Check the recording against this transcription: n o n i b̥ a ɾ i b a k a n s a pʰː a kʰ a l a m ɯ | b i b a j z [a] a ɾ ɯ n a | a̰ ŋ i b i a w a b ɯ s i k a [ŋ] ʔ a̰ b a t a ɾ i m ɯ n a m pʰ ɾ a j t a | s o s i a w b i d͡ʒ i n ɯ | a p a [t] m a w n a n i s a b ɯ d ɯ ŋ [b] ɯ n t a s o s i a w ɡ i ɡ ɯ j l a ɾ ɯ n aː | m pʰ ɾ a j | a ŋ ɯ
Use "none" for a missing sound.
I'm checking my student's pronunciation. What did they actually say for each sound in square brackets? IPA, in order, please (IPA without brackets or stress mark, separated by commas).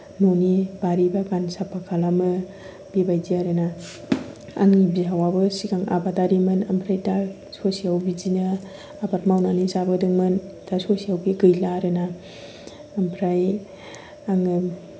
i, ŋ, t, m